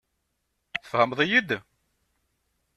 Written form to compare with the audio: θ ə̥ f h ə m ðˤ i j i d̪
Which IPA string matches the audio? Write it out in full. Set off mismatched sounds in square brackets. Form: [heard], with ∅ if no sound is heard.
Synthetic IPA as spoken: θ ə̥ f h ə m ðˤ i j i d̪